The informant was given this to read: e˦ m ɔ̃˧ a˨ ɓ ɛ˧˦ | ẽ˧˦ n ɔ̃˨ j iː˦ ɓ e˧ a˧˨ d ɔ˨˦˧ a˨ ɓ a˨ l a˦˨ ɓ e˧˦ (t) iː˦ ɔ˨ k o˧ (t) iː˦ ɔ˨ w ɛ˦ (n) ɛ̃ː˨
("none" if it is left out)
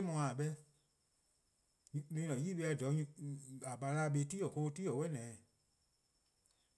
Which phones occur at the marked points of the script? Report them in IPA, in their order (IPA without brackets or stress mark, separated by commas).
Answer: t, t, n